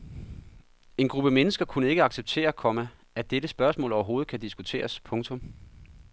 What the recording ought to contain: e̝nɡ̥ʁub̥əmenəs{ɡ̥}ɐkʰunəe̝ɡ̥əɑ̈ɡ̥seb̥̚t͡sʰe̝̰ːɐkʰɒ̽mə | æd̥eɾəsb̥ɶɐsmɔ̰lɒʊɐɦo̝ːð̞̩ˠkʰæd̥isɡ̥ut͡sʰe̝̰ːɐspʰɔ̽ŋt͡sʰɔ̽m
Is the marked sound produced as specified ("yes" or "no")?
yes